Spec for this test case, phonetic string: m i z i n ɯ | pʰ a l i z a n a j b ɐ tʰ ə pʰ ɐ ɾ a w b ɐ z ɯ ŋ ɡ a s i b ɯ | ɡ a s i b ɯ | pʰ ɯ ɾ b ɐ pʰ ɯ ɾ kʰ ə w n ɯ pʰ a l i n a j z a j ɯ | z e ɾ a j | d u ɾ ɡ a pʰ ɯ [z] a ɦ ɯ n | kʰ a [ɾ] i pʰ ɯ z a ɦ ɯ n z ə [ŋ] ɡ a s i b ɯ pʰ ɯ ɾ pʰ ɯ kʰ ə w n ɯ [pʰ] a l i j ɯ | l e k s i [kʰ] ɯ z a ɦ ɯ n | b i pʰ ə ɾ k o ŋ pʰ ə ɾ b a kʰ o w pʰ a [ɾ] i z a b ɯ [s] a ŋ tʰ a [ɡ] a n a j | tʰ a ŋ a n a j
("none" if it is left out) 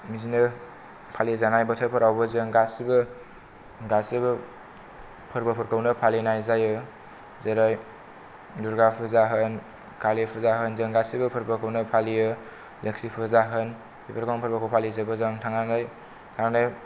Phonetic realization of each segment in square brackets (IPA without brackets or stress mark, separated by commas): z, l, ŋ, pʰ, pʰ, l, z, ŋ